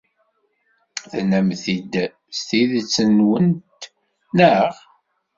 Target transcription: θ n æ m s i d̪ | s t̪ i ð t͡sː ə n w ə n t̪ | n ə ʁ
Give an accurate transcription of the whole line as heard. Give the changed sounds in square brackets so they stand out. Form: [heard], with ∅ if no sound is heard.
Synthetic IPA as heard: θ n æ m [θ] i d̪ | s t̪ i ð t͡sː ə n w ə n t̪ | n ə ʁ